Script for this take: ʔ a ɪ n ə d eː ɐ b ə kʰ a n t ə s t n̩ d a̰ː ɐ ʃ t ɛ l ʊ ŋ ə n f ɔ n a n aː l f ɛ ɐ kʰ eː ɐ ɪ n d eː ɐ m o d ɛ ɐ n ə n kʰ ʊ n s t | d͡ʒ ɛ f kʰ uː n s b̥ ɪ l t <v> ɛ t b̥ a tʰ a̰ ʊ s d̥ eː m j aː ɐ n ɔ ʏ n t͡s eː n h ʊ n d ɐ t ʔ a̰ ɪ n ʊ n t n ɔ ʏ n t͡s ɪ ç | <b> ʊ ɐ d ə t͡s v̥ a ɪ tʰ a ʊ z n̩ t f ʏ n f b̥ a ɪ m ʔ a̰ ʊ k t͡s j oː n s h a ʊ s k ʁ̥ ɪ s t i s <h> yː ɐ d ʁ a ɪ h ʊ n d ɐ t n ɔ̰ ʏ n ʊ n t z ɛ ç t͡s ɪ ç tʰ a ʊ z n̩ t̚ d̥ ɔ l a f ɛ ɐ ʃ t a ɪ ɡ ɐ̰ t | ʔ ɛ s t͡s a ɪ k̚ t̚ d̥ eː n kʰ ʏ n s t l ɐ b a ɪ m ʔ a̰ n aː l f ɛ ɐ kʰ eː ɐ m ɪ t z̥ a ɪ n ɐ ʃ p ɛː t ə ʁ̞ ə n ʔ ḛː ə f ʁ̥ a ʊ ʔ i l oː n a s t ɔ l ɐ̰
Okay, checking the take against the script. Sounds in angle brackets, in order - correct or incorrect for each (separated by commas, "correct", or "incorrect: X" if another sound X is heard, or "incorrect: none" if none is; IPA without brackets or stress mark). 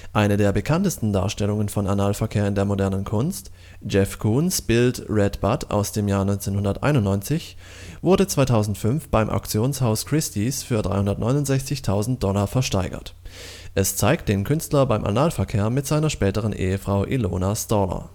incorrect: ʁ, incorrect: v, incorrect: f